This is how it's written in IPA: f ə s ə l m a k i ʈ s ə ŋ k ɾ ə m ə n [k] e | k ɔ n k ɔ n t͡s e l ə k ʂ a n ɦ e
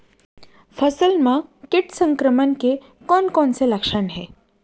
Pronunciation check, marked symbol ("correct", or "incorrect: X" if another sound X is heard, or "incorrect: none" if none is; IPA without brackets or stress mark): correct